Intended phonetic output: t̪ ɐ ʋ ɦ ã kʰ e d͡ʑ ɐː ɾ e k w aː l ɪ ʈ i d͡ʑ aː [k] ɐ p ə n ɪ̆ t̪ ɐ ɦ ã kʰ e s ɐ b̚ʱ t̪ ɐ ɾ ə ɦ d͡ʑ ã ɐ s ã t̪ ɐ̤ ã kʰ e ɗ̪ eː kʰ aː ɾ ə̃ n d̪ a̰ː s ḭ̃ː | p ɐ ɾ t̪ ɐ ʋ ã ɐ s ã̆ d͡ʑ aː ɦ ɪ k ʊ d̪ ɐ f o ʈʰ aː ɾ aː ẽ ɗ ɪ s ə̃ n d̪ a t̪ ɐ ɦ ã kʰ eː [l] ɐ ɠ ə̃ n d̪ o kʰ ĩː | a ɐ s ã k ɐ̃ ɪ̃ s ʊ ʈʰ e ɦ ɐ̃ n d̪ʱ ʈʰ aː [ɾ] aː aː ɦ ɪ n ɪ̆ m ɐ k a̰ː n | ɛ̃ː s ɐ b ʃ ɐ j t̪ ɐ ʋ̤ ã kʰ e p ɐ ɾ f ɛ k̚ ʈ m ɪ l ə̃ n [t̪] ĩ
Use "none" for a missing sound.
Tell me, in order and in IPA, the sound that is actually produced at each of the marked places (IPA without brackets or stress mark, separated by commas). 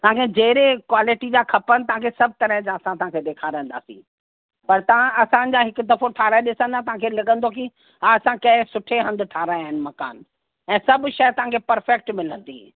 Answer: kʰ, l, ɾ, d̪